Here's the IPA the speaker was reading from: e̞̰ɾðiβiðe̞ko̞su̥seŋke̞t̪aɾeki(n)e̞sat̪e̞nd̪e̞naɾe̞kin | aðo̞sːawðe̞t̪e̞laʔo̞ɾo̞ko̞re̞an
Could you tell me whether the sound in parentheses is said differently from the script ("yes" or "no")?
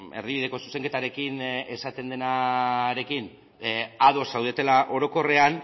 no